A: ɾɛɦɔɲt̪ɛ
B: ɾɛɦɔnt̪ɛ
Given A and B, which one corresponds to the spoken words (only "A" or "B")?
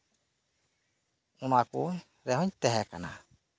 A